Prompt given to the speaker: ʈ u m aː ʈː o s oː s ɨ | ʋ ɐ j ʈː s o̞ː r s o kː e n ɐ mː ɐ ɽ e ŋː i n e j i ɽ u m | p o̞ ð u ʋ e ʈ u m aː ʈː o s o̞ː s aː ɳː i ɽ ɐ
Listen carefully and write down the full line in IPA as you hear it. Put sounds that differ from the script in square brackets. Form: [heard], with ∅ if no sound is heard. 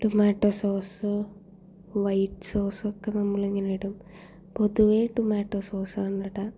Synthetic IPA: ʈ u m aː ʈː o s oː s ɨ | ʋ ɐ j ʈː s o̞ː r s o kː e n ɐ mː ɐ [ɭ] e ŋː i n e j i ɽ u m | p o̞ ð u ʋ e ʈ u m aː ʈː o s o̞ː s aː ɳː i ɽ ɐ